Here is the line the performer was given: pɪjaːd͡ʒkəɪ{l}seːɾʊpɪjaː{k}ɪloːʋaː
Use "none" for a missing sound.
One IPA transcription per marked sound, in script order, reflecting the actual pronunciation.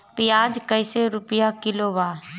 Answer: none, k

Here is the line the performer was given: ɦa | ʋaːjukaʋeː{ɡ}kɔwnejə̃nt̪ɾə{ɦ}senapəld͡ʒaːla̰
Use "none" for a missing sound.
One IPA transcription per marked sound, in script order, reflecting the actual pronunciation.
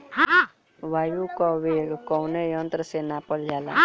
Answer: ɡ, none

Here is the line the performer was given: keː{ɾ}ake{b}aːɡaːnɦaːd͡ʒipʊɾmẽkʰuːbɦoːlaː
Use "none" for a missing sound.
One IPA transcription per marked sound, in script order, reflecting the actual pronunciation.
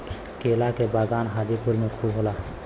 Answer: l, b

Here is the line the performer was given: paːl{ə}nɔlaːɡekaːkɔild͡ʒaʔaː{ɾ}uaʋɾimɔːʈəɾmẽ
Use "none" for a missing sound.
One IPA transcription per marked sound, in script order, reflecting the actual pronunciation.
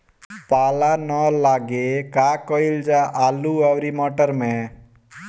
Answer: a, l

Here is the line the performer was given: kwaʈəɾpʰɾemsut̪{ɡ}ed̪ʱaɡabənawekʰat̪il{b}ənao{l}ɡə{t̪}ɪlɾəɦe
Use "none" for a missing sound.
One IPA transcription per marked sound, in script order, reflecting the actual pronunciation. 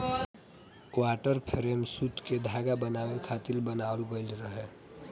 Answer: k, b, l, none

